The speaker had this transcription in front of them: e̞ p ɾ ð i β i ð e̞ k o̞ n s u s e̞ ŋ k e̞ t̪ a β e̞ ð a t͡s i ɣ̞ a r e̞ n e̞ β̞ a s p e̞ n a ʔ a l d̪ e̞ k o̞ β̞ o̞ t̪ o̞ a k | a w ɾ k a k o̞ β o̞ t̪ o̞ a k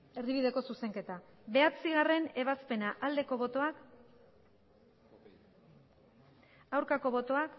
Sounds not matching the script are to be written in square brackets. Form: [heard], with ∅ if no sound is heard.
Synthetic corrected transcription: e̞ [∅] ɾ ð i β i ð e̞ k o̞ [∅] s u s e̞ ŋ k e̞ t̪ a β e̞ [∅] a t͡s i ɣ̞ a r e̞ n e̞ β̞ a s p e̞ n a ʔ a l d̪ e̞ k o̞ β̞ o̞ t̪ o̞ a k | a w ɾ k a k o̞ β o̞ t̪ o̞ a k